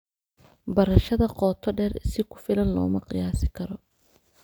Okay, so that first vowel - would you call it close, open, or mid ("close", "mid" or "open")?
open